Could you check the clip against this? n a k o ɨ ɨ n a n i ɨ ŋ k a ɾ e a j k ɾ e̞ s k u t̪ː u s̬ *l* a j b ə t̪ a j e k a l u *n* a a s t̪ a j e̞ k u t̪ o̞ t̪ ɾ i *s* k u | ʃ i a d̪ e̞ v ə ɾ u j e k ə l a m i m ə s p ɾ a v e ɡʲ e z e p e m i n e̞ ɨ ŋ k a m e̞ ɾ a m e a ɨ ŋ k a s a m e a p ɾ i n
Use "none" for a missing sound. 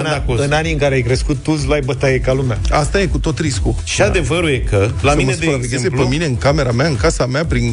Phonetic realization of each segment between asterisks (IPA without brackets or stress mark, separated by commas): l, m, s